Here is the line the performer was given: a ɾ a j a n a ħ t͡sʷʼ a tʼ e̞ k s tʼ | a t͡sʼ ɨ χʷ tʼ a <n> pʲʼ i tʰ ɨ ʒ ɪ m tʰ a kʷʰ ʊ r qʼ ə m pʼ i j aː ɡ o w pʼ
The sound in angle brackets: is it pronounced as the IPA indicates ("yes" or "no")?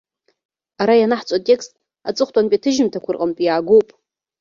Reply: yes